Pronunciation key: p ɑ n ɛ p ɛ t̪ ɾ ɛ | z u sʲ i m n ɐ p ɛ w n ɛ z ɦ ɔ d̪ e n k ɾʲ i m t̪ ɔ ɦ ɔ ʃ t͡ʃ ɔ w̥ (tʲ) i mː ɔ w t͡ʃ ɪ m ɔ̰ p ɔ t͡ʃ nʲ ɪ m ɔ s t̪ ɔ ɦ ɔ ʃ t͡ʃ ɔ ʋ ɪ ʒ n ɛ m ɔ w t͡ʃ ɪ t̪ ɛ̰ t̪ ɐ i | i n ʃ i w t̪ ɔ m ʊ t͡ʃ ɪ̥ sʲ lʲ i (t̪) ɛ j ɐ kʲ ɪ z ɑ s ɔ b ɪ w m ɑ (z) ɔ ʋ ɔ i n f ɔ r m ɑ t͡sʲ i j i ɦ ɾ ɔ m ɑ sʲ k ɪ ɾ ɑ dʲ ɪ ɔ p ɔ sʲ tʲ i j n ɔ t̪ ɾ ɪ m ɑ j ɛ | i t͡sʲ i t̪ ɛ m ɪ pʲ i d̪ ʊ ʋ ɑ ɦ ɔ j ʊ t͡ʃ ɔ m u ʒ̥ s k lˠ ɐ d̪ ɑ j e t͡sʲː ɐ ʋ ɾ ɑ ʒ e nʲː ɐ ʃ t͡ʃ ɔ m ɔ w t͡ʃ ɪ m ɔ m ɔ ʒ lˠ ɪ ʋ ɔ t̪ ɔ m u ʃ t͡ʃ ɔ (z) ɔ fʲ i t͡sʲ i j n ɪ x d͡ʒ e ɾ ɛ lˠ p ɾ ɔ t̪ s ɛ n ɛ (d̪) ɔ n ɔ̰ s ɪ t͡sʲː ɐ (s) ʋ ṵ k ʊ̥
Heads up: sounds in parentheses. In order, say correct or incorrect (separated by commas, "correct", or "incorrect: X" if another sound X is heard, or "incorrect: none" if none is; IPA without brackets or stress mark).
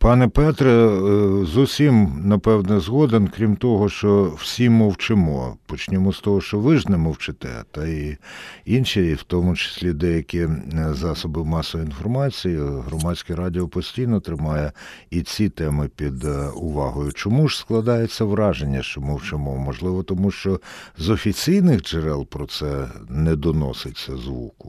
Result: incorrect: sʲ, incorrect: d̪, incorrect: s, correct, correct, incorrect: z